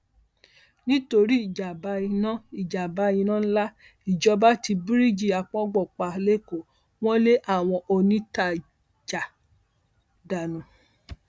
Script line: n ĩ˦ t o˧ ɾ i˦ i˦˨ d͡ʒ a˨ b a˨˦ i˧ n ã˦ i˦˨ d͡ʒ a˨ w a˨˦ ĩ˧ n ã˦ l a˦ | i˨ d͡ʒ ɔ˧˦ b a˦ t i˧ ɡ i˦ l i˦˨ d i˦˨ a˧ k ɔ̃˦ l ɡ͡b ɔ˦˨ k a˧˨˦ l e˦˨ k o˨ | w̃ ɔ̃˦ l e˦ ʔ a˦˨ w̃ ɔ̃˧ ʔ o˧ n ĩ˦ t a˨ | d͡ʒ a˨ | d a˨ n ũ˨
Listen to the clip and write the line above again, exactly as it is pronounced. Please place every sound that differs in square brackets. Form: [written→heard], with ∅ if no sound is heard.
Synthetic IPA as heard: n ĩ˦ t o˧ ɾ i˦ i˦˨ d͡ʒ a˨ b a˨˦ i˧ n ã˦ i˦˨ d͡ʒ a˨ [w→b] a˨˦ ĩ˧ n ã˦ l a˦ | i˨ d͡ʒ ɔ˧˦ b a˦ t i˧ [ɡ→b] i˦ [l→ɾ] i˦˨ [d→d͡ʒ] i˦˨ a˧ [k→k͡p] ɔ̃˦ [l→∅] ɡ͡b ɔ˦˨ [k→k͡p] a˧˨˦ l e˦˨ k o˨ | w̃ ɔ̃˦ l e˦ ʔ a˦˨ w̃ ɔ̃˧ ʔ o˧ n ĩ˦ t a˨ | d͡ʒ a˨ | d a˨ n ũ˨